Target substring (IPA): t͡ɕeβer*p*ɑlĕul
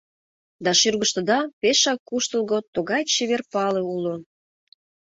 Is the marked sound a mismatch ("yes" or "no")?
no